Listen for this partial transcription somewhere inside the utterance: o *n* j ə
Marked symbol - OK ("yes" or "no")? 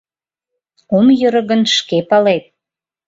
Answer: no